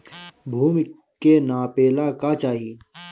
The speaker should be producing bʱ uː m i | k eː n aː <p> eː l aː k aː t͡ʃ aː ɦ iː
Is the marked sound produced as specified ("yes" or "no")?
yes